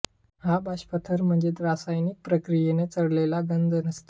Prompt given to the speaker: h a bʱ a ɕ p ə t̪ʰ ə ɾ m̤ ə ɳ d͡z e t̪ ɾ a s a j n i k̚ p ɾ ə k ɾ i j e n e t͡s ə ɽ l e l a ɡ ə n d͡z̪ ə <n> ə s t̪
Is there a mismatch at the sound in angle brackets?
no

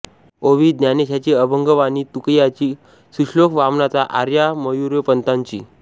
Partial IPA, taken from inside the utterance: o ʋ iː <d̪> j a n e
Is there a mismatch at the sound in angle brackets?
no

